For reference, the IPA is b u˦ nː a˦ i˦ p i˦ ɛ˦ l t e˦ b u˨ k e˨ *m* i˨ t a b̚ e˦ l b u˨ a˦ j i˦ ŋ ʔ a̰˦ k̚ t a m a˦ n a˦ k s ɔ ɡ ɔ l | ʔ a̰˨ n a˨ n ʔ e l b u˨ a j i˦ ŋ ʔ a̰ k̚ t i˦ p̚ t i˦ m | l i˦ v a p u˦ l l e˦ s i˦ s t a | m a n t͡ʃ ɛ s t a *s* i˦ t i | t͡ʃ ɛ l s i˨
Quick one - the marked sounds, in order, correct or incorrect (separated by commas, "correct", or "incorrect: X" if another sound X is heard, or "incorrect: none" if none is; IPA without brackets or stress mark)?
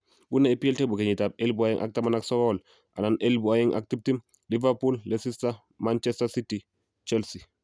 incorrect: ɲ, correct